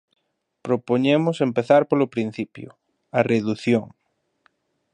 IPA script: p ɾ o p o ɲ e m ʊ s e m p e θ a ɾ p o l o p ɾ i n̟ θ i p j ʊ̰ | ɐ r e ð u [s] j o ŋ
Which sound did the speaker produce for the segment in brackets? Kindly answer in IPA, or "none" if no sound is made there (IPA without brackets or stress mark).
θ